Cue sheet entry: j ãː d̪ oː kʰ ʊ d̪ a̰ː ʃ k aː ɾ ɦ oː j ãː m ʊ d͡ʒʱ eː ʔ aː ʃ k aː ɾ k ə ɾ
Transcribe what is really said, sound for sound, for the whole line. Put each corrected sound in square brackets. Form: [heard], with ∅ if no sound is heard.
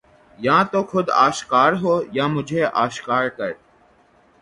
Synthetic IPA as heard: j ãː [t̪] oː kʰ ʊ d̪ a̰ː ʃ k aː ɾ ɦ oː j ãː m ʊ d͡ʒʱ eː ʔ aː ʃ k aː ɾ k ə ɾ